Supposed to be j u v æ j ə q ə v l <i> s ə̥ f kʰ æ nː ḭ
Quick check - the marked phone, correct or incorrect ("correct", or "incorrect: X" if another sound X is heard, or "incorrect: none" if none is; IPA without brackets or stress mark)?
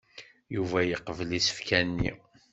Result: correct